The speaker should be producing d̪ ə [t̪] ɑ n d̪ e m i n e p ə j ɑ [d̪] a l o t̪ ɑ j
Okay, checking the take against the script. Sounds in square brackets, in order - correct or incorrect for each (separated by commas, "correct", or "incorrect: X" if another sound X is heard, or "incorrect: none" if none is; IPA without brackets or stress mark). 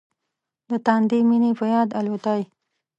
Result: correct, correct